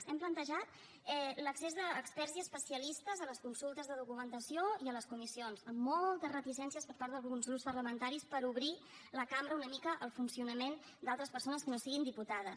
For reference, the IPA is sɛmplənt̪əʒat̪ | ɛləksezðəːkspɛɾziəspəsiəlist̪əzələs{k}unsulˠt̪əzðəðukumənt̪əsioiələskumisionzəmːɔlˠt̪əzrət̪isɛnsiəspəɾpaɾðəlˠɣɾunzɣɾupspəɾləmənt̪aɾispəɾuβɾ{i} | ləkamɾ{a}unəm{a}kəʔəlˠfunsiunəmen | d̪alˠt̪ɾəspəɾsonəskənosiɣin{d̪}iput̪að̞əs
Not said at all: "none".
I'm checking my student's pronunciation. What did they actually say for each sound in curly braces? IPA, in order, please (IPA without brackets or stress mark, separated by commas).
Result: k, i, ə, i, d̪